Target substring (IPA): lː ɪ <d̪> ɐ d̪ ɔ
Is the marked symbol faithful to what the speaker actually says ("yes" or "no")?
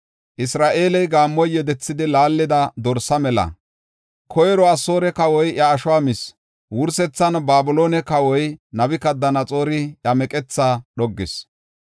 yes